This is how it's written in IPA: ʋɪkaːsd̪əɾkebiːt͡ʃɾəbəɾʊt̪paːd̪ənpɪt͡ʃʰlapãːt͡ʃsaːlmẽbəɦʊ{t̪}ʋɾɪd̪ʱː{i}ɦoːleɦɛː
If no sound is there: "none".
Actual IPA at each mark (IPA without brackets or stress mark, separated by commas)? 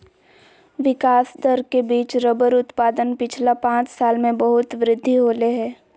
t̪, i